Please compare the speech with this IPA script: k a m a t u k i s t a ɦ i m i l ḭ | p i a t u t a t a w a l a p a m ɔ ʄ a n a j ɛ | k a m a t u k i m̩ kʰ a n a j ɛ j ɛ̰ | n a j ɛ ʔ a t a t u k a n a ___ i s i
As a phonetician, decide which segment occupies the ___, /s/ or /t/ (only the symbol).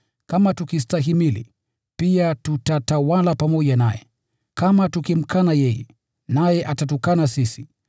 s